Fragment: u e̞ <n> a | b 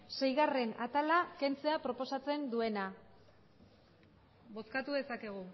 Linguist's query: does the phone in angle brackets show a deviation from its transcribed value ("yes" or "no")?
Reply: no